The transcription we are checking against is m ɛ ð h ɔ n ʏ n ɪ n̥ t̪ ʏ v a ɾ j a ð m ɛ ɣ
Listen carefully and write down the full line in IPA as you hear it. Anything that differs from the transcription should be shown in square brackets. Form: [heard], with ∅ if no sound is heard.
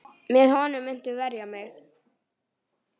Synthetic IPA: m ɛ ð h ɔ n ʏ [m] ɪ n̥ t̪ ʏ v [ɛ] ɾ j a [∅] m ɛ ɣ